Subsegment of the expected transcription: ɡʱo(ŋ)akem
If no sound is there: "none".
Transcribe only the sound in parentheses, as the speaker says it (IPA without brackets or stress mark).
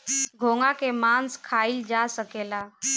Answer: ŋ